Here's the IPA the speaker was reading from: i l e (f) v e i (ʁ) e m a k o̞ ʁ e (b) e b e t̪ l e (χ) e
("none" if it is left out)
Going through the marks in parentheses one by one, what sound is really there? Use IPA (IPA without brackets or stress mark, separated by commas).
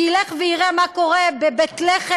χ, ʁ, b, χ